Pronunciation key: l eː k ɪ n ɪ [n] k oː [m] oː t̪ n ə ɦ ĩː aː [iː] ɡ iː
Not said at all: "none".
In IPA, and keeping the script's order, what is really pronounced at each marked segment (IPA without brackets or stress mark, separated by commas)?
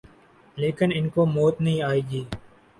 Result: n, m, iː